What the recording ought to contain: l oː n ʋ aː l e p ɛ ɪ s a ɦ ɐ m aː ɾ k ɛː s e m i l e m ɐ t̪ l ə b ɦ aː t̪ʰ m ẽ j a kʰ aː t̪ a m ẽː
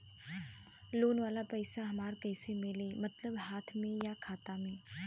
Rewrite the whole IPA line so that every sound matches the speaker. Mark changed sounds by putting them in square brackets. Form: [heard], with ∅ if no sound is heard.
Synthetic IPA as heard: l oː n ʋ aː l [a] p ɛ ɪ s a ɦ ɐ m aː ɾ k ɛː s e m [ɪ] l e m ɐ t̪ l ə b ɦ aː t̪ʰ m ẽ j a kʰ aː t̪ a m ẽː

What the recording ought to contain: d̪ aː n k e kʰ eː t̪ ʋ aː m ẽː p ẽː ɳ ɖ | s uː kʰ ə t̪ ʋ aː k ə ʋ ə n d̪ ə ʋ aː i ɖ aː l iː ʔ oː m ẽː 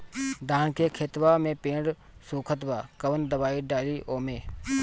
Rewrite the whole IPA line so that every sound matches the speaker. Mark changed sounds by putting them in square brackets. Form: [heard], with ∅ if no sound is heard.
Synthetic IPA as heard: d̪ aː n k e kʰ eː t̪ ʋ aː m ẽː p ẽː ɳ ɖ | s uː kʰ ə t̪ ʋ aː k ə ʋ ə n d̪ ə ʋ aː i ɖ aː l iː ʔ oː m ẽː

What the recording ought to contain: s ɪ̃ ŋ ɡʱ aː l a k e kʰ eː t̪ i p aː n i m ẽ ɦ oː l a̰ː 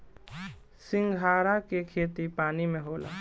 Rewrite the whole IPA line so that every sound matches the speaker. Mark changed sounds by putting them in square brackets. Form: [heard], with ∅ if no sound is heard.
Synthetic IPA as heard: s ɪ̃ ŋ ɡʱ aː [ɾ] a k e kʰ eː t̪ i p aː n i m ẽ ɦ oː l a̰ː

